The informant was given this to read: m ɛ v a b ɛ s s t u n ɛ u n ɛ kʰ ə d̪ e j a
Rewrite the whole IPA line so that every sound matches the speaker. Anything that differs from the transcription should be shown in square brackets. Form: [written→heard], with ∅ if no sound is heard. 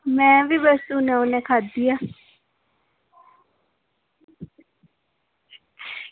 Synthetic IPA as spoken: m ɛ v [a→i] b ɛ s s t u n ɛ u n ɛ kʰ [ə→a] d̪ [e→i] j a